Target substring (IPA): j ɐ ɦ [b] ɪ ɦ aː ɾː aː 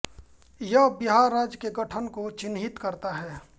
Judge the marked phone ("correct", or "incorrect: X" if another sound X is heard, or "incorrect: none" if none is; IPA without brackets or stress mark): correct